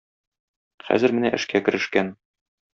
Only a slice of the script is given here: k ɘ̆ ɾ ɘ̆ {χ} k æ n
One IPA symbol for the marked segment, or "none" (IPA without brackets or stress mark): ʃ